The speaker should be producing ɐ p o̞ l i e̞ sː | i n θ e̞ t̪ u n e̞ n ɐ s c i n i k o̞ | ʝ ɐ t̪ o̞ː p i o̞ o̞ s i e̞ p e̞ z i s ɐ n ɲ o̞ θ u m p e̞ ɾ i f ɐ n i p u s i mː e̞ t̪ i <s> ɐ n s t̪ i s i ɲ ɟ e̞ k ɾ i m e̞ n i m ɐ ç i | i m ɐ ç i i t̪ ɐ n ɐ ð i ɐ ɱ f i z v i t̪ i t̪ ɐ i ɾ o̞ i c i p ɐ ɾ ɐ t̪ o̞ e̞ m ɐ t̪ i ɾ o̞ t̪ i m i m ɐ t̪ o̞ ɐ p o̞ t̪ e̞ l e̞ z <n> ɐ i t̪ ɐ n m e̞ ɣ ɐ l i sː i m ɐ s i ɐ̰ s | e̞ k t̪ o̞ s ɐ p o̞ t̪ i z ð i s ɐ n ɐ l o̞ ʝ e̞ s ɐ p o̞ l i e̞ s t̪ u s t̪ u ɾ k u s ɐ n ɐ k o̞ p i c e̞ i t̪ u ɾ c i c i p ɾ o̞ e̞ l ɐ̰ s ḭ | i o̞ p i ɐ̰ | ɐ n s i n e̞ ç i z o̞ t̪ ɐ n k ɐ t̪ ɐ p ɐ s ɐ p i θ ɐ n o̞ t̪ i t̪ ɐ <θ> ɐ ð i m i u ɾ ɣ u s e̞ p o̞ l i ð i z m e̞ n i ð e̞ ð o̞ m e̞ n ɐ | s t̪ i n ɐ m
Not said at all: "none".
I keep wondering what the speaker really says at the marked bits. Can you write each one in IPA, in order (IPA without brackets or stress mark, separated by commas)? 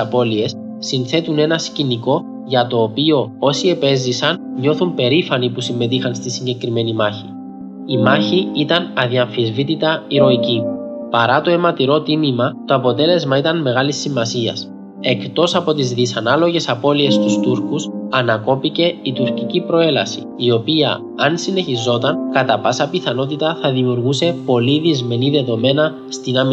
x, m, θ